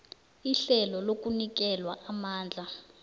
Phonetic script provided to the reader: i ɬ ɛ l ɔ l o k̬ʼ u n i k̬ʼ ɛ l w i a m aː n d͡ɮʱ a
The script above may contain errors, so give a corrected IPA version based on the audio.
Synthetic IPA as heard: i ɬ ɛ l ɔ l o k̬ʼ u n i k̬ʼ ɛ l w a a m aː n d͡ɮʱ a

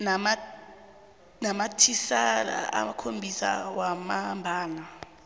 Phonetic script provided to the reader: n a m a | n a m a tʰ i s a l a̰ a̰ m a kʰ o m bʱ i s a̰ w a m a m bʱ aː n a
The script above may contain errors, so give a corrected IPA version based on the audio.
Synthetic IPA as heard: n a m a | n a m a tʰ i s a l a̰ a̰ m a kʰ o m bʱ i s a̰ w a m a m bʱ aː n a

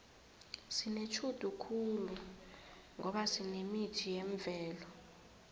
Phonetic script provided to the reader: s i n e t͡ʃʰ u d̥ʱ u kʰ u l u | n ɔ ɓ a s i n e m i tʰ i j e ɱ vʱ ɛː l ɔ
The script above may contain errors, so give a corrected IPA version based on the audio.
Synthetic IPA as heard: s i n e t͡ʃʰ u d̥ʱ u kʰ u l u | ŋ ɔ ɓ a s i n e m i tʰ i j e ɱ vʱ ɛː l ɔ

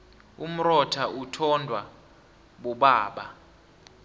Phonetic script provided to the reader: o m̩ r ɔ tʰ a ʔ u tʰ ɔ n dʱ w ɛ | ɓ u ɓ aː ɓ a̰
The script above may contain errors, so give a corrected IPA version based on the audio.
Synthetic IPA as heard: u m̩ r ɔ tʰ a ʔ u tʰ ɔ n dʱ w a | ɓ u ɓ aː ɓ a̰

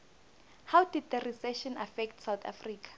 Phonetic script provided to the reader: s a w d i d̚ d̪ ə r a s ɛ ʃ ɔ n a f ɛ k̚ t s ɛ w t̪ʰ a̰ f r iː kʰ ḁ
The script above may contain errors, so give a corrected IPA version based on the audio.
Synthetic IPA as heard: h a w d i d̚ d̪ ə r i s ɛ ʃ ɔ n a f ɛ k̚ t s a w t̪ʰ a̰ f r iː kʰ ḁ

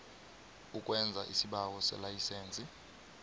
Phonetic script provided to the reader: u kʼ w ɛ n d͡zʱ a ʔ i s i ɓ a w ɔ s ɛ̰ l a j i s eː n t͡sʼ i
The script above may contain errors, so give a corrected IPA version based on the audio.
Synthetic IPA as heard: u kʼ w ɛ n d͡zʱ a ʔ i s i ɓ a w ɔ s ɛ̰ l a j i s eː n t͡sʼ i

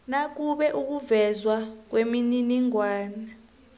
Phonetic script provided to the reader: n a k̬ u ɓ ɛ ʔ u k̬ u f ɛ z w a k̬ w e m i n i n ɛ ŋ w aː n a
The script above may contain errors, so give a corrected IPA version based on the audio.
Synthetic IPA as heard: n a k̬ u ɓ ɛ ʔ u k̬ u v ɛ z w a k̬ w e m i n i n i ŋ w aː n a

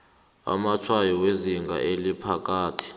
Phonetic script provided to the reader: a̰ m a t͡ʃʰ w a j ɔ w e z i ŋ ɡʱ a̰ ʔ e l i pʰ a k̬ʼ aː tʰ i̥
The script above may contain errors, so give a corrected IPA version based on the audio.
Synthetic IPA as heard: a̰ m a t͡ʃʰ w a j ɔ w e z i ŋ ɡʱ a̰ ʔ e l i pʰ a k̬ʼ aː tʰ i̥

